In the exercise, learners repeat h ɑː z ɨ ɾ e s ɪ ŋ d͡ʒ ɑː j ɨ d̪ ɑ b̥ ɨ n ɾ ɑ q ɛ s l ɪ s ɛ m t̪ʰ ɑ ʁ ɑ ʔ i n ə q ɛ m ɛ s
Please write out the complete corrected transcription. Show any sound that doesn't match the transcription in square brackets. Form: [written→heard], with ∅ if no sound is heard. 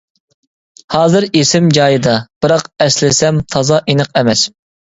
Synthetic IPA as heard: h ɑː z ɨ ɾ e s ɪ [ŋ→m] d͡ʒ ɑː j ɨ d̪ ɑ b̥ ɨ [n→∅] ɾ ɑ q ɛ s l ɪ s ɛ m t̪ʰ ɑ [ʁ→z] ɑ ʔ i n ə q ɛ m ɛ s